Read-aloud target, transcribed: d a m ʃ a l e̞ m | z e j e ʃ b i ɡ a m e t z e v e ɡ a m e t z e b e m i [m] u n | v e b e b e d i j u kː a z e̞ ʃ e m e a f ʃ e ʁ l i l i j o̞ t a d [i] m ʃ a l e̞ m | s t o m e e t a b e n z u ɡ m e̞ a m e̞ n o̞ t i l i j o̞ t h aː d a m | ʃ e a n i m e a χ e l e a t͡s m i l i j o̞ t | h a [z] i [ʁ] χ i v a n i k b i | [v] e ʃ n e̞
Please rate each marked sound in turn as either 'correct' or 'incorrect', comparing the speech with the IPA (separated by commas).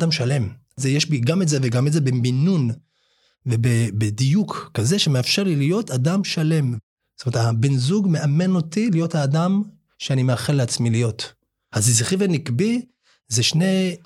incorrect, incorrect, correct, incorrect, incorrect